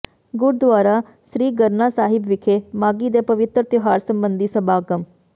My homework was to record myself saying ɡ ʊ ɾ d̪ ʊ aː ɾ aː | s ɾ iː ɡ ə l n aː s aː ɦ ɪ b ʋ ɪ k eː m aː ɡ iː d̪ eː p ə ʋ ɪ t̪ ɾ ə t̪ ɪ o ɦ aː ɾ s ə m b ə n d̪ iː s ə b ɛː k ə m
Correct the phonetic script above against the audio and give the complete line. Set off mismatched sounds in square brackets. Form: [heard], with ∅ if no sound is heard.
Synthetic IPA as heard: ɡ ʊ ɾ d̪ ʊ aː ɾ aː | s ɾ iː ɡ ə [ɾ] n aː s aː ɦ ɪ b ʋ ɪ [kʰ] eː m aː ɡ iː d̪ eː p ə ʋ ɪ t̪ ɾ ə t̪ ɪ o ɦ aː ɾ s ə m b ə n d̪ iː s ə b [aː] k ə m